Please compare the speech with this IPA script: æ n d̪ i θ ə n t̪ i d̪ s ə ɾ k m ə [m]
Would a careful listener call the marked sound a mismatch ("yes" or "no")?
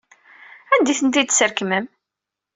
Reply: no